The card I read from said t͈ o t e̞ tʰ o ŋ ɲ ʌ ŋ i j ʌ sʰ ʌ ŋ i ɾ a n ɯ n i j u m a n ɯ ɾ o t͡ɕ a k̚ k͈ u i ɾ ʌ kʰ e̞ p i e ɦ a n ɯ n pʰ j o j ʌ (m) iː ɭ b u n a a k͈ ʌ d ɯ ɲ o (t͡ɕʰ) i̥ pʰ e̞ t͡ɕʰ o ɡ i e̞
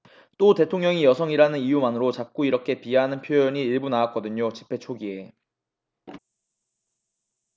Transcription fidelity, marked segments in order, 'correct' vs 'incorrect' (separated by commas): incorrect, incorrect